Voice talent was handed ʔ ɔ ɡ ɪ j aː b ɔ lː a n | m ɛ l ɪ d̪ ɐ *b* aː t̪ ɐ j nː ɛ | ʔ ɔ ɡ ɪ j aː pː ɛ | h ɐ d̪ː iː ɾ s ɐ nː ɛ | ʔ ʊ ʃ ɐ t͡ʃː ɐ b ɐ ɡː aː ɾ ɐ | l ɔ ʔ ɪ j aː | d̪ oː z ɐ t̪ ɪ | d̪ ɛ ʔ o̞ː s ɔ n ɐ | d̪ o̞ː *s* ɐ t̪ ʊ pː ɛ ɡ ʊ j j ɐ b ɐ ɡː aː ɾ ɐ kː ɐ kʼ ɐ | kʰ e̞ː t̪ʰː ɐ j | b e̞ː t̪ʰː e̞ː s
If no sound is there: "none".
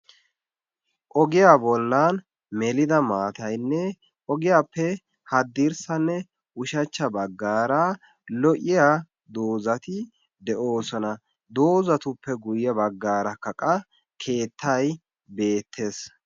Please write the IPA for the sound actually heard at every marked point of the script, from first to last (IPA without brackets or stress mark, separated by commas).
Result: m, z